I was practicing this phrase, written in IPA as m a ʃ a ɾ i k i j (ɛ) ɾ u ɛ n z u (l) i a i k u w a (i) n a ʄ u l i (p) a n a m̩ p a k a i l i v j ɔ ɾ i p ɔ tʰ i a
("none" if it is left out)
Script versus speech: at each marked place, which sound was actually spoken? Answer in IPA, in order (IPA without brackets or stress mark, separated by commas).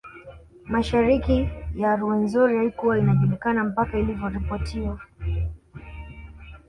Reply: a, ɾ, i, k